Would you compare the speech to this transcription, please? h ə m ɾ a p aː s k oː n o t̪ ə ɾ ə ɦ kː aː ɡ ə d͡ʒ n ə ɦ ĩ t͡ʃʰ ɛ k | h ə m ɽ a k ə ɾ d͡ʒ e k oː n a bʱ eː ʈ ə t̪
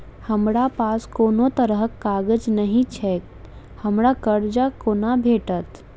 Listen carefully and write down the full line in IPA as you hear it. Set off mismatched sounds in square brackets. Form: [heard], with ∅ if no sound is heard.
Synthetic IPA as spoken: h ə m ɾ a p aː s k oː n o t̪ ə ɾ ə ɦ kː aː ɡ ə d͡ʒ n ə ɦ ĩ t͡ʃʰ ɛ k | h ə m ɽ a k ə ɾ d͡ʒ [a] k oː n a bʱ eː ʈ ə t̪